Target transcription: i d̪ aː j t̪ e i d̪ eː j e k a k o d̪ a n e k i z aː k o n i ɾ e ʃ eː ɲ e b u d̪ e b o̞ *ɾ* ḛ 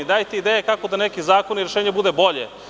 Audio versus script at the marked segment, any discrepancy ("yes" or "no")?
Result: yes